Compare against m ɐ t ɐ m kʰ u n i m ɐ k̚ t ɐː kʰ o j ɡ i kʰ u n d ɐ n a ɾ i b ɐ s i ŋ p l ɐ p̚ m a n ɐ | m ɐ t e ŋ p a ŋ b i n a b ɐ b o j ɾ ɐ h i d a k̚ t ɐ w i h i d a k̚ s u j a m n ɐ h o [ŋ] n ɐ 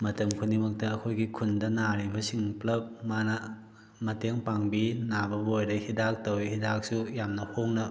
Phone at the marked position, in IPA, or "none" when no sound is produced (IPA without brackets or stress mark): ŋ